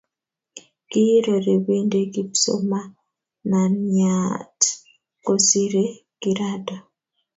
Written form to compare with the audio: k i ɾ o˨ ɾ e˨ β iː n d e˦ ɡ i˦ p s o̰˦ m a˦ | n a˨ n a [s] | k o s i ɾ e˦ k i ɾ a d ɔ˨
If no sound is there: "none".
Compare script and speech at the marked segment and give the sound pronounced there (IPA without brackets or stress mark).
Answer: t